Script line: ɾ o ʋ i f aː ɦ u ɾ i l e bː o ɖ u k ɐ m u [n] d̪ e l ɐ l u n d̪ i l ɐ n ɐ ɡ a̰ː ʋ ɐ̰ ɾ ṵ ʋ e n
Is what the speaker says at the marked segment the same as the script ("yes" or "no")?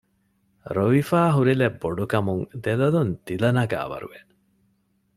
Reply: no